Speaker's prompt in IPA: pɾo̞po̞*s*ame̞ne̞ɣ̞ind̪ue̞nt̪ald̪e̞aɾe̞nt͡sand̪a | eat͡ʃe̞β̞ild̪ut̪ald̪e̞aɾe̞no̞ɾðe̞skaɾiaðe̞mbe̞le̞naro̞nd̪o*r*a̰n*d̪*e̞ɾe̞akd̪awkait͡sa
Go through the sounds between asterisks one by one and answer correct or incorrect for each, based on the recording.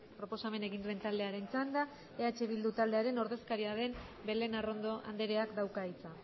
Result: correct, incorrect, correct

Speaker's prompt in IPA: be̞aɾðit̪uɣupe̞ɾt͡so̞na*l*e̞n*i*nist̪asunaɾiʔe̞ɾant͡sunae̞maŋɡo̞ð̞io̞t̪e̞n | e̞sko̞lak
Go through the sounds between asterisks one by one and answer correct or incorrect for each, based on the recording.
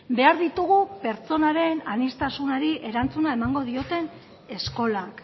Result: incorrect, incorrect

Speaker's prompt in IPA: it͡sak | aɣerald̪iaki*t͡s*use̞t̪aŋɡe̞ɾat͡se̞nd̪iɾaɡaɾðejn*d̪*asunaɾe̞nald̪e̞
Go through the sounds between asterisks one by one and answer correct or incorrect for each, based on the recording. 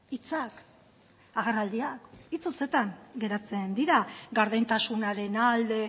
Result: correct, incorrect

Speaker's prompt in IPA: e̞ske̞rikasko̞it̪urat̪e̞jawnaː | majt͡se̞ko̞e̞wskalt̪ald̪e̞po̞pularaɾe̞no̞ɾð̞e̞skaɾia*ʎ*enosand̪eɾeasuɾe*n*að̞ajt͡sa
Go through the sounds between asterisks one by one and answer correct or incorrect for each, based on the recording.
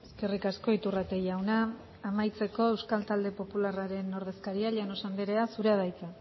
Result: correct, incorrect

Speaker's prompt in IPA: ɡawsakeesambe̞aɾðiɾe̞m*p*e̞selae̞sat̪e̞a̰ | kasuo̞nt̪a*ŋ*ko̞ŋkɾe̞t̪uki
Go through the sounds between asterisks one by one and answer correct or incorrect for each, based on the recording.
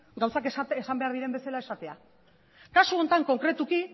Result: incorrect, correct

